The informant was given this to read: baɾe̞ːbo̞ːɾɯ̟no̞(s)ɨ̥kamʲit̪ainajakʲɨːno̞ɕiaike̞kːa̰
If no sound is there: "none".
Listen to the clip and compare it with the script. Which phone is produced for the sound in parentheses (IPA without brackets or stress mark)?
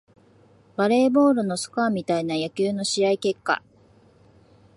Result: s